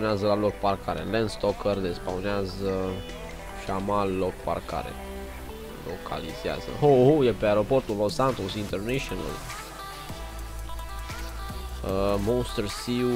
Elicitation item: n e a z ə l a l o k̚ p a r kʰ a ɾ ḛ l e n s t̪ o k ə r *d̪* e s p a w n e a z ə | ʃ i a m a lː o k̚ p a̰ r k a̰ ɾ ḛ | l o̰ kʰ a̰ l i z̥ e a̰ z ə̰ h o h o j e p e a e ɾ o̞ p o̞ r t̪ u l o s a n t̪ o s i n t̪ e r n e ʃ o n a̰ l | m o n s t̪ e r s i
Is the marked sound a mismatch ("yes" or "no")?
no